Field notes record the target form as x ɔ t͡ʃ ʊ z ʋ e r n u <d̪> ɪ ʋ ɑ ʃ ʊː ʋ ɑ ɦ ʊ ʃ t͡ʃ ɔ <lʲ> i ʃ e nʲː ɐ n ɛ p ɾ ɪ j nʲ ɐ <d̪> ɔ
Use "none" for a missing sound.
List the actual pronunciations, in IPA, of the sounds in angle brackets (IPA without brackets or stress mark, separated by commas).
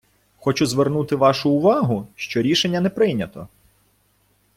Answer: t̪, ɾʲ, t̪